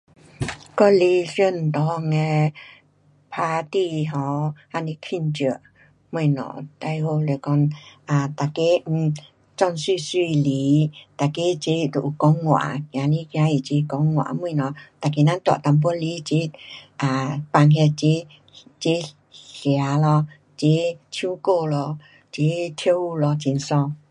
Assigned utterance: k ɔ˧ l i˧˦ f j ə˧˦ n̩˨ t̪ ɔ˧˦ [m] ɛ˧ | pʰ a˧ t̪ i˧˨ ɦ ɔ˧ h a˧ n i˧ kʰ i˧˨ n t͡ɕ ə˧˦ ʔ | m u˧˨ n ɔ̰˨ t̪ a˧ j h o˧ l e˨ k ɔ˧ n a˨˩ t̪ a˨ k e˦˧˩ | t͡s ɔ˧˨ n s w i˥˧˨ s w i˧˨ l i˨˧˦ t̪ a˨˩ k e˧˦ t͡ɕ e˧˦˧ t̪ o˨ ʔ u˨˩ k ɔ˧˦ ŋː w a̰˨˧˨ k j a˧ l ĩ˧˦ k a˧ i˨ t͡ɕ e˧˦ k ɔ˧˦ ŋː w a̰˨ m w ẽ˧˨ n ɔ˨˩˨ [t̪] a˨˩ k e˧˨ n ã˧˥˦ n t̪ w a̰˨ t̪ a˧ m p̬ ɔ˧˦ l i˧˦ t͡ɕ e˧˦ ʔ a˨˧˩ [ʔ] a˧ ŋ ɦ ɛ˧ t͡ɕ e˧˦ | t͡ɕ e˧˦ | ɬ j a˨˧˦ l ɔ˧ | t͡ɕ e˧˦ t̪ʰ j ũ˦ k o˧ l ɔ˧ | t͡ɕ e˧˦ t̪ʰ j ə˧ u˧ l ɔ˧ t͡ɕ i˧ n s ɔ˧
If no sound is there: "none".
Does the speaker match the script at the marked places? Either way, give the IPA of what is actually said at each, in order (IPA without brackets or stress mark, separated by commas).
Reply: ŋ, t̪, p